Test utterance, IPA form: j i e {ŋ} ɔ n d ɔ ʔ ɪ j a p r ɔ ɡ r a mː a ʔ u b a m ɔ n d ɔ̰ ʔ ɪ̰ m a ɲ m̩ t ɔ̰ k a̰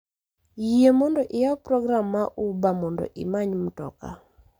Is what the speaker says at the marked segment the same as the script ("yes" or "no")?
no